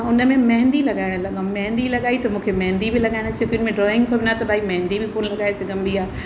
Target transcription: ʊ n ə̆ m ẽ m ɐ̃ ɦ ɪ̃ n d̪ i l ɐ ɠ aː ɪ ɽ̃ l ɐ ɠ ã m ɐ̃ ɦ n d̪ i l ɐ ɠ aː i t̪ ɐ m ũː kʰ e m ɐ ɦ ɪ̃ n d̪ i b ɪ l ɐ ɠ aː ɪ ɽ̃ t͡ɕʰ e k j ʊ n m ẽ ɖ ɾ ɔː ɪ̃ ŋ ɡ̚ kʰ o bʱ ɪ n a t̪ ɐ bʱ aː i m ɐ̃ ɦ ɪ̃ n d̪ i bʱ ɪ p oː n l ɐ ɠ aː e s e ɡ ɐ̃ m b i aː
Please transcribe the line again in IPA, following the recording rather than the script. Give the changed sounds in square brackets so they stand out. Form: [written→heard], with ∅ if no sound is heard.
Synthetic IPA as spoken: ʊ n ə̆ m ẽ m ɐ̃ ɦ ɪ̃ n d̪ i l ɐ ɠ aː ɪ ɽ̃ l ɐ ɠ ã m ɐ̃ ɦ n d̪ i l ɐ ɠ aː i t̪ ɐ m ũː kʰ e m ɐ ɦ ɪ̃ n d̪ i b ɪ l ɐ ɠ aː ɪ ɽ̃ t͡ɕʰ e k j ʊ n m ẽ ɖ ɾ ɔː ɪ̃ ŋ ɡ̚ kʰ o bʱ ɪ n a t̪ ɐ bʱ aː i m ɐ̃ ɦ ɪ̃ n d̪ i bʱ ɪ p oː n l ɐ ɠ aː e s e ɡ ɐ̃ m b i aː